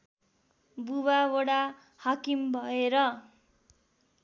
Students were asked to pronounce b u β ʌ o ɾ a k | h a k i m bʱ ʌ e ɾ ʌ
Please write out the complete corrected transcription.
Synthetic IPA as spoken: b u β a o ɽ a | h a k i m bʱ ʌ e ɾ ʌ